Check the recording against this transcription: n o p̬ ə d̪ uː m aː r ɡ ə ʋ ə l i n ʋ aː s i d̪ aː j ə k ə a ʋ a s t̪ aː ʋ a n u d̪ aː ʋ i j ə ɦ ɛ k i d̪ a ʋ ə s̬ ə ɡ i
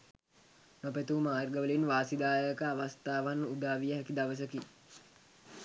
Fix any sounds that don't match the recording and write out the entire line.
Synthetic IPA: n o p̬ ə t̪ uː m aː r ɡ ə ʋ ə l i n ʋ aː s i d̪ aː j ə k ə a ʋ a s t̪ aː ʋ a n u d̪ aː ʋ i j ə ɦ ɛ k i d̪ a ʋ ə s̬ ə k i